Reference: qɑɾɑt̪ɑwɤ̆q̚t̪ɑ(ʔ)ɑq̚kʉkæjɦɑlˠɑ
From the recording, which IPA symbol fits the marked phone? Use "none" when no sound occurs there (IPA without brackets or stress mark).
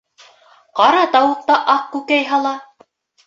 ʔ